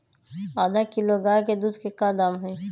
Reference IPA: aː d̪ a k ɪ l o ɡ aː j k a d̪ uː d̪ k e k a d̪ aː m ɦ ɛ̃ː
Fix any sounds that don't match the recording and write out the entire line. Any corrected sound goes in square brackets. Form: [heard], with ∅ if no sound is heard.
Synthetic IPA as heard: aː d̪ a k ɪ l o ɡ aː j k [e] d̪ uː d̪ k e k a d̪ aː m ɦ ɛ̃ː